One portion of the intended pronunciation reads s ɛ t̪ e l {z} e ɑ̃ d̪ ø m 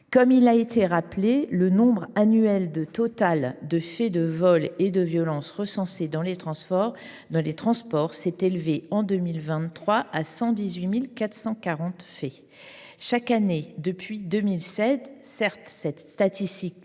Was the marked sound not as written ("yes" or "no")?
yes